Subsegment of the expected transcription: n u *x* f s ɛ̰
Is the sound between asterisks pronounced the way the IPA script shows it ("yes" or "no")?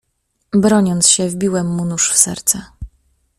no